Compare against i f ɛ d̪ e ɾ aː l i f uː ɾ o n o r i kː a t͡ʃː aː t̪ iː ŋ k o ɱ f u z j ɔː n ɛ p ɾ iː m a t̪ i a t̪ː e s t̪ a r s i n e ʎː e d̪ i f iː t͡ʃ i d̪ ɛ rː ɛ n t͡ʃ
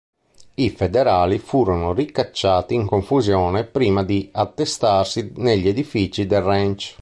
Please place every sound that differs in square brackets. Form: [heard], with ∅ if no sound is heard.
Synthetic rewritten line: i f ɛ d̪ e ɾ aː l i f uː ɾ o n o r i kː a t͡ʃː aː t̪ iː ŋ k o ɱ f u z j ɔː n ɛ p ɾ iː m a [d̪] i a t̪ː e s t̪ a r s i n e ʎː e d̪ i f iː t͡ʃ i d̪ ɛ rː ɛ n t͡ʃ